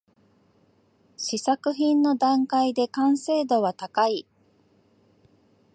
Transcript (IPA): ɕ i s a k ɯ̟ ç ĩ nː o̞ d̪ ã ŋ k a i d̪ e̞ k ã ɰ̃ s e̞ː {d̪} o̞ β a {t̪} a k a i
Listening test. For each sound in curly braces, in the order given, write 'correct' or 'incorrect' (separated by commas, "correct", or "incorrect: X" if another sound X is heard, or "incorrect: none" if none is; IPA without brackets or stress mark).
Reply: correct, correct